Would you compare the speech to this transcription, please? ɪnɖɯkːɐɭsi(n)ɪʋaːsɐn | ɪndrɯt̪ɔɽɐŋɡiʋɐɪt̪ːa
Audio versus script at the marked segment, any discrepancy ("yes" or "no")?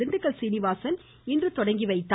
no